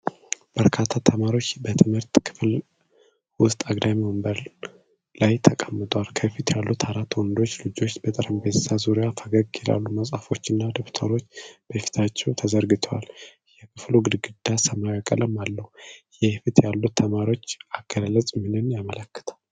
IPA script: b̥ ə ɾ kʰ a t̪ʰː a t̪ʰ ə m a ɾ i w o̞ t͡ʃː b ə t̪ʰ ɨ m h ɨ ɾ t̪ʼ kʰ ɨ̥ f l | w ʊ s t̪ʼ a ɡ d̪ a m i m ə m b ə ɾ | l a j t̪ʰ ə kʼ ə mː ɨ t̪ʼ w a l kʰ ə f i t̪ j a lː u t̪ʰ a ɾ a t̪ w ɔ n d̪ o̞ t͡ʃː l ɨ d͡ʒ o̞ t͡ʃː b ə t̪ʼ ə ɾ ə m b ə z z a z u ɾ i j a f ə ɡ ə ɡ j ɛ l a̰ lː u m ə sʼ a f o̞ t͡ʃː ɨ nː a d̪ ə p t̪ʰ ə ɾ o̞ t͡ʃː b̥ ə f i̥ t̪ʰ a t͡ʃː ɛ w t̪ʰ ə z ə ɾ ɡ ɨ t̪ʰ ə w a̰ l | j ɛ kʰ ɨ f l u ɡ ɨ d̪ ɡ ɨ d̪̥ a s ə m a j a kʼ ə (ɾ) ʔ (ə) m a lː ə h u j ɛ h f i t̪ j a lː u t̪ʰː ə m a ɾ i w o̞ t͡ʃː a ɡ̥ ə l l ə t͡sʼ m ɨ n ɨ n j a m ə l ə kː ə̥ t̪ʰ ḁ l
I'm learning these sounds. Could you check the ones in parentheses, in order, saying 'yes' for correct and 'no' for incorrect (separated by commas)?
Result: no, yes